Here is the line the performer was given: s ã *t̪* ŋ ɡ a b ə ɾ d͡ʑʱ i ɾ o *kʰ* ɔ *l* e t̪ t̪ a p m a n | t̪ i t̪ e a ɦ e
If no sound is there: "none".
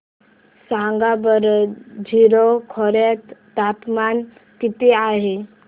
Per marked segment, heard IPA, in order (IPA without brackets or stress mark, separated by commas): none, kʰ, ɾ